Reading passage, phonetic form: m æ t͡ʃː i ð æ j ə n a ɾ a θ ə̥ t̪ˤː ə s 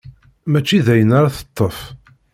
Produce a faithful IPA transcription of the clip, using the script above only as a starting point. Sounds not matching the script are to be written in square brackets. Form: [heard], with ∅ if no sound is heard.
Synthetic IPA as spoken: m æ t͡ʃː i ð æ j ə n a ɾ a θ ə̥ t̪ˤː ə [f]